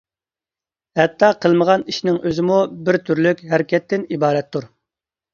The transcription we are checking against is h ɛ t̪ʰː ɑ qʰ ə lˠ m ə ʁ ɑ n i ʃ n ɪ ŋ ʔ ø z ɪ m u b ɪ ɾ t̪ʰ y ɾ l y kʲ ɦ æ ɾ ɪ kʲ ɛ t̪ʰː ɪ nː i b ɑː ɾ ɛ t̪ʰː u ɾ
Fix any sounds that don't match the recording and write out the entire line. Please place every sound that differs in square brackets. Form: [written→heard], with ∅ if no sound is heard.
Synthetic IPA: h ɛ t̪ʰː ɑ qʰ ə lˠ m ə ʁ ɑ n i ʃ n ɪ ŋ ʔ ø z ɪ m u b ɪ ɾ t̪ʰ y ɾ l y kʲ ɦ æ ɾ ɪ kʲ ɛ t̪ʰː ɪ [nː→n] i b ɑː ɾ ɛ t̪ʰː u ɾ